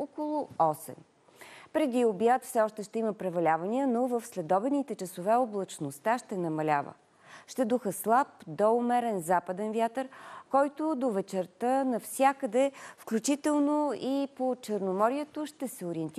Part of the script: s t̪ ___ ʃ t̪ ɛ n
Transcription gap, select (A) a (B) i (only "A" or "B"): A